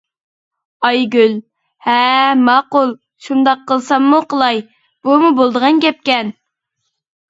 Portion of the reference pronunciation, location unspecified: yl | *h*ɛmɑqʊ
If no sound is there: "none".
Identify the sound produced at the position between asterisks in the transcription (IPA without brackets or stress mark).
h